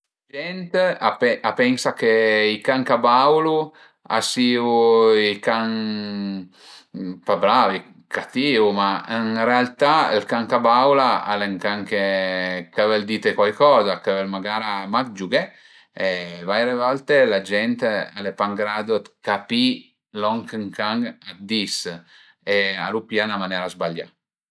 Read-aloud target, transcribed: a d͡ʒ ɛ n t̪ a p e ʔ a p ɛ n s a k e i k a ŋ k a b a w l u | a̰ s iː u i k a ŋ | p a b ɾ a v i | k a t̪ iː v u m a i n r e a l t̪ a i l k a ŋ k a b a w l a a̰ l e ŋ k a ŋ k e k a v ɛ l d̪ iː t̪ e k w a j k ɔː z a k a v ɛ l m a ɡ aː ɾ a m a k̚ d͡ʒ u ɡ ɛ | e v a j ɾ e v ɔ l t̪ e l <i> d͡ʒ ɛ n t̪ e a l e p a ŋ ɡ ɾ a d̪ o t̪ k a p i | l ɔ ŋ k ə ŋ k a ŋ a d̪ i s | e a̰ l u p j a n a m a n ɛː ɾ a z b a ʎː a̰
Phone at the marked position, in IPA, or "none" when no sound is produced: a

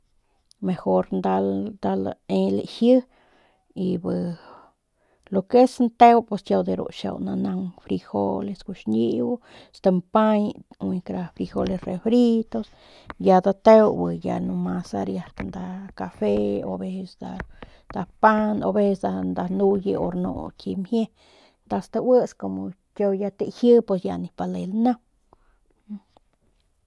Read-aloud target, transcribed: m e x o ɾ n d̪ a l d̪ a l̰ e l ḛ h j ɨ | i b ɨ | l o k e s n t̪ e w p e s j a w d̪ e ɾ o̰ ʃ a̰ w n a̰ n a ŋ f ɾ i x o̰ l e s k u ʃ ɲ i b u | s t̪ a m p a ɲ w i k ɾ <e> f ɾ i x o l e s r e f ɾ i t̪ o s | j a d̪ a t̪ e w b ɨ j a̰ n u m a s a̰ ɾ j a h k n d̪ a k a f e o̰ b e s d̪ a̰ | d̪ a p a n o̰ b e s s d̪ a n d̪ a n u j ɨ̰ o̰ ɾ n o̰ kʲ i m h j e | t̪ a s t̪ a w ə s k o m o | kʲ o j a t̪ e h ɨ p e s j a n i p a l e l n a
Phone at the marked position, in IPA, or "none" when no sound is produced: a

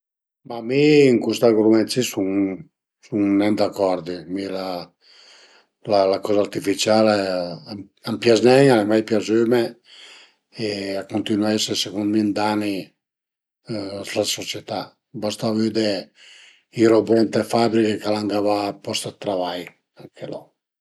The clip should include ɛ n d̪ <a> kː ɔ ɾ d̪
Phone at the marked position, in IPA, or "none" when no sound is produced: a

